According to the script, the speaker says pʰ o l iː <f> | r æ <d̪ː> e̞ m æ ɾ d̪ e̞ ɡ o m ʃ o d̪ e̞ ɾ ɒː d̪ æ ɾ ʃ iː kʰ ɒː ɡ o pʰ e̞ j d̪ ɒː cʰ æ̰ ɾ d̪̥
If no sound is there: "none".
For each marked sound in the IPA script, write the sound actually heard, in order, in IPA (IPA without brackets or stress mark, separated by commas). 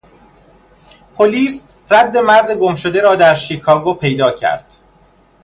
s, d̪ː